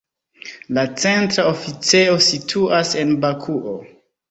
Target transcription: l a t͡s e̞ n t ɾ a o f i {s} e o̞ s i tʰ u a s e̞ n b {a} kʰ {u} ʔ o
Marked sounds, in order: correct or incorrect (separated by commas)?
incorrect, correct, correct